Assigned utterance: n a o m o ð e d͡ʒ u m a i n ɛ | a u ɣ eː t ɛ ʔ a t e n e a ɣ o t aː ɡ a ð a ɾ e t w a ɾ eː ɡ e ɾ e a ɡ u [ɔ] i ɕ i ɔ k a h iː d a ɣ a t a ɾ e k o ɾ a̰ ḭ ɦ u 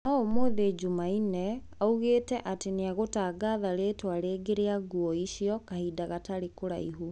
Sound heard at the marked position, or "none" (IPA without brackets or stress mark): ɔ